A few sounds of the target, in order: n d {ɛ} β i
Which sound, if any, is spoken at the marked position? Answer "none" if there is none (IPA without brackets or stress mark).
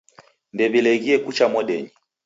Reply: ɛ